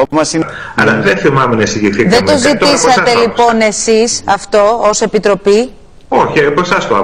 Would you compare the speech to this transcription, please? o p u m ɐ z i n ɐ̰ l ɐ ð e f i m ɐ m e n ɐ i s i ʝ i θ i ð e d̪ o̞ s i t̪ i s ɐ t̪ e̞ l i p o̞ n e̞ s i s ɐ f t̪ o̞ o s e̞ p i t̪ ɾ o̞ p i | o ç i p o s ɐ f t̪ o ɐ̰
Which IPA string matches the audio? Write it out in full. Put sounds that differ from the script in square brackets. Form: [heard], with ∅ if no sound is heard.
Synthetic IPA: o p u m ɐ [s] i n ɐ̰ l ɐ ð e [θ] i m ɐ m e n ɐ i s i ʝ i θ i ð e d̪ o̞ [z] i t̪ i s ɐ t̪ e̞ l i p o̞ n e̞ s i s ɐ f t̪ o̞ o s e̞ p i t̪ ɾ o̞ p i | o ç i p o s ɐ [s] t̪ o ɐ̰